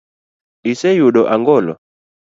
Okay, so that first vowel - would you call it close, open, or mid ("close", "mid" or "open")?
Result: close